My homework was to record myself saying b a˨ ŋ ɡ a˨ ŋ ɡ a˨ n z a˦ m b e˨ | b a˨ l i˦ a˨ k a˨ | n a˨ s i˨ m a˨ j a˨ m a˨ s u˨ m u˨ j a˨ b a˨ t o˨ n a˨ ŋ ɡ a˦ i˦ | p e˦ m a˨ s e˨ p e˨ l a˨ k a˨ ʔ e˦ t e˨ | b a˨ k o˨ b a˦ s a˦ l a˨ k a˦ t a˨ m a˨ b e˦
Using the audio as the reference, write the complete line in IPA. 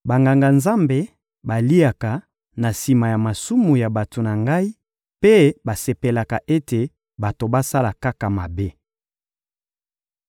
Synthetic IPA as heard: b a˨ ŋ ɡ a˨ ŋ ɡ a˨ n z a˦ m b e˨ | b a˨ l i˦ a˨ k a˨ | n a˨ s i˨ m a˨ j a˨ m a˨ s u˦ m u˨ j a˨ b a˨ t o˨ n a˨ ŋ ɡ a˦ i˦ | p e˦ b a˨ s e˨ p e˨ l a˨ k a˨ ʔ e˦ t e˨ | b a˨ t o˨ b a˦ s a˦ l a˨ k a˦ k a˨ m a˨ b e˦